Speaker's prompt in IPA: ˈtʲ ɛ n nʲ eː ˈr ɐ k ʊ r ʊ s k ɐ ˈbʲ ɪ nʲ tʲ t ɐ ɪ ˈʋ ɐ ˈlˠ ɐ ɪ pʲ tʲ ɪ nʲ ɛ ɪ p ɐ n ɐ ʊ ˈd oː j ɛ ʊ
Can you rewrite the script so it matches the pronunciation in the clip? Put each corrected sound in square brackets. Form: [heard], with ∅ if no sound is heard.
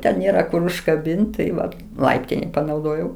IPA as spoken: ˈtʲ ɛ n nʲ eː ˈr ɐ k ʊ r ʊ [ʃ] k ɐ ˈbʲ ɪ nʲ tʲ t ɐ ɪ ˈʋ ɐ ˈlˠ ɐ ɪ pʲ tʲ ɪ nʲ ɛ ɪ p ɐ n ɐ ʊ ˈd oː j ɛ ʊ